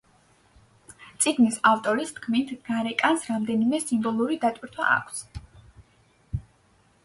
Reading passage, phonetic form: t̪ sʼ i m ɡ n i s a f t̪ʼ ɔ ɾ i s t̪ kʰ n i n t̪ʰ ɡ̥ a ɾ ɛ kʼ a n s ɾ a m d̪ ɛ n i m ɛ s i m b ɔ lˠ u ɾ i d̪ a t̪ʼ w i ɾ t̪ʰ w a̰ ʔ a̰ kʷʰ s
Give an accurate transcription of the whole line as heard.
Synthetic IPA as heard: t̪ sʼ i ɡ n i s a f t̪ʼ ɔ ɾ i s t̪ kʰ m i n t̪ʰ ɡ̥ a ɾ ɛ kʼ a n s ɾ a m d̪ ɛ n i m ɛ s i m b ɔ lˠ u ɾ i d̪ a t̪ʼ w i ɾ t̪ʰ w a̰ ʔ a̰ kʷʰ s